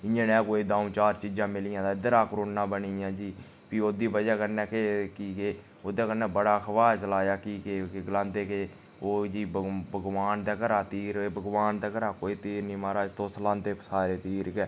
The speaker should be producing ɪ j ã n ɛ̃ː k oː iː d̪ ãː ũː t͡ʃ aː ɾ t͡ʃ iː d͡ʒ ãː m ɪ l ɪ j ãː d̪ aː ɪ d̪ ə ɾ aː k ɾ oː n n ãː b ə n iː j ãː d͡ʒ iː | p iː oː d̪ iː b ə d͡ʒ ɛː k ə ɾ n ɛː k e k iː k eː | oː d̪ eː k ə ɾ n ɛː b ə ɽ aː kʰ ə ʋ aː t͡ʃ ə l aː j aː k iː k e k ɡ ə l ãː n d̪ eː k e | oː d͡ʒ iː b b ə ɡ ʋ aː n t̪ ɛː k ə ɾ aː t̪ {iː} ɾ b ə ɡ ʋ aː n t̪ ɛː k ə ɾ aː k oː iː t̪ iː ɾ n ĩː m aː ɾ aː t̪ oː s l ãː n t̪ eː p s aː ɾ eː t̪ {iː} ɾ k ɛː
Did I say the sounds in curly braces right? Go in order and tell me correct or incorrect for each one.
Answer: correct, correct

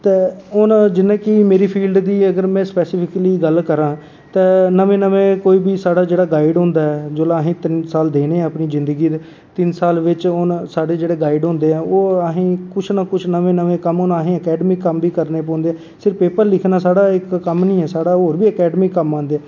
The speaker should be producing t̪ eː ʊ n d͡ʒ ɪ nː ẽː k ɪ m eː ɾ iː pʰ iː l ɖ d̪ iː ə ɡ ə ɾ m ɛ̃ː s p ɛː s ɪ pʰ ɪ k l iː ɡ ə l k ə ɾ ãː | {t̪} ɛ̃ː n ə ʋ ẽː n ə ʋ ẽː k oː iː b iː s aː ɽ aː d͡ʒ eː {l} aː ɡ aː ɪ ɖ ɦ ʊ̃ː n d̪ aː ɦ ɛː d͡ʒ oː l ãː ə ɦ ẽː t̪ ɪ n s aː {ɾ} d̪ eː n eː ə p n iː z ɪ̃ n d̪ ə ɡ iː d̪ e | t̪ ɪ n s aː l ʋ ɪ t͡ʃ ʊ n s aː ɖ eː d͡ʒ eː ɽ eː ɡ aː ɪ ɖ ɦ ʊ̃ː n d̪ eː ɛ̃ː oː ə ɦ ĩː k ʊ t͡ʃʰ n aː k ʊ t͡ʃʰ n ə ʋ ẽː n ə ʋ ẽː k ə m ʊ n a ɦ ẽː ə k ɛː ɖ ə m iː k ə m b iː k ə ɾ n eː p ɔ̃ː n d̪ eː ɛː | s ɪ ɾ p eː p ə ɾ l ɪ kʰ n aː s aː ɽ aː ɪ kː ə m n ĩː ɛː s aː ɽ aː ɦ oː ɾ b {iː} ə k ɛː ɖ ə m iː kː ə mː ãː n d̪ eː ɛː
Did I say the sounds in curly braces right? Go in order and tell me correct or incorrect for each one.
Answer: correct, incorrect: ɽ, incorrect: l, correct

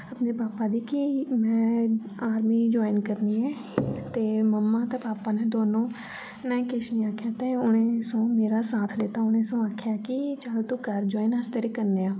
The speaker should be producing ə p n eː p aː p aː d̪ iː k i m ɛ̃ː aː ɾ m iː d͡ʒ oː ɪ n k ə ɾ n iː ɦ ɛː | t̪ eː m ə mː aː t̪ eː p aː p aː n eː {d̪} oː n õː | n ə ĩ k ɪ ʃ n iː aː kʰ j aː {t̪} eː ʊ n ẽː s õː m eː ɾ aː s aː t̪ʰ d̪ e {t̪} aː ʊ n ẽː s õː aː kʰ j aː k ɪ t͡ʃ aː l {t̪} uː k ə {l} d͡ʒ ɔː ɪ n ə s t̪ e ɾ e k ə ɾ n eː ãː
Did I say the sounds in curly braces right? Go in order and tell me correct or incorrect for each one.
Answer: correct, correct, correct, correct, incorrect: ɾ

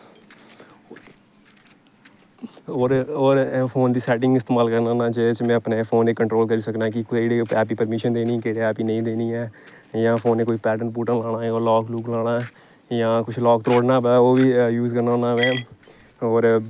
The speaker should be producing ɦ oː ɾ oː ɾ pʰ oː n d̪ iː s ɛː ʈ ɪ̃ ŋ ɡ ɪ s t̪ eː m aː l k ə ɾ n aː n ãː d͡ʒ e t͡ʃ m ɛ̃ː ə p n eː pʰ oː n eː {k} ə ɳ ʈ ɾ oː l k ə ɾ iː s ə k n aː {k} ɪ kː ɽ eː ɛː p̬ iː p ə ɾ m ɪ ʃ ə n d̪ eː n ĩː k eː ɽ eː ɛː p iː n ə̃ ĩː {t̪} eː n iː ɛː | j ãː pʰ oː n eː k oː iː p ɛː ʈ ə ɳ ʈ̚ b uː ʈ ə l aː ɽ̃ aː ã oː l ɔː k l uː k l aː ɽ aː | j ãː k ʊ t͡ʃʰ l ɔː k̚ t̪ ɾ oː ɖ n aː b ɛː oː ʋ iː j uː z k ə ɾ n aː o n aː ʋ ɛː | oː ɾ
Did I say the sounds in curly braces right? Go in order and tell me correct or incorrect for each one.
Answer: correct, correct, incorrect: d̪

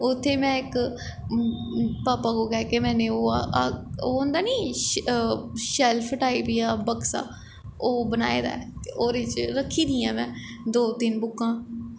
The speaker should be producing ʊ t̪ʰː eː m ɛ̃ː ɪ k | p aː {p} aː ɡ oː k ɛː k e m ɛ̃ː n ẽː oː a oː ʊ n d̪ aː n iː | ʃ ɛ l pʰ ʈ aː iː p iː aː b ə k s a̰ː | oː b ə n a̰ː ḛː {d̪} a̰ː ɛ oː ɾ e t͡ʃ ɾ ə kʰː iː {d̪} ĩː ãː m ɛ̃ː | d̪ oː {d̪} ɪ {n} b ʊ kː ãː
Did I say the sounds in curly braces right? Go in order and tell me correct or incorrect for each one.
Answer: correct, correct, correct, incorrect: t̪, correct

